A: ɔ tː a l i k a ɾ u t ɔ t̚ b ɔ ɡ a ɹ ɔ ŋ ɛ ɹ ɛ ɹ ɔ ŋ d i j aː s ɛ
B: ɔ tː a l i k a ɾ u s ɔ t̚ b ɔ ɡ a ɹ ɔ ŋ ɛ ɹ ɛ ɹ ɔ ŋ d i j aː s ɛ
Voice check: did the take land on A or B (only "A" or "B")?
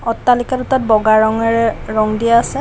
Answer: A